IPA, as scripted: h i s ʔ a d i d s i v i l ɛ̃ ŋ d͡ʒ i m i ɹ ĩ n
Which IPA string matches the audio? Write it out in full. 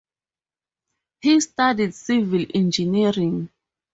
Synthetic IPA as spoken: h i s t a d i d s i v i l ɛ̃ n d͡ʒ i n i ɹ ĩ ŋ